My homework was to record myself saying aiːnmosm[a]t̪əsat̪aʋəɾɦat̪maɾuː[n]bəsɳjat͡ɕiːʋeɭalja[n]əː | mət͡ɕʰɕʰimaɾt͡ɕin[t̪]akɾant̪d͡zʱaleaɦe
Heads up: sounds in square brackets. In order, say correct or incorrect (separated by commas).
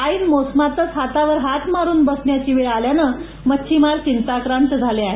correct, correct, correct, correct